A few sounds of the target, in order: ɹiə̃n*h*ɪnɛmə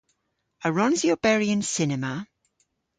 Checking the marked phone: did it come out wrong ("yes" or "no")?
yes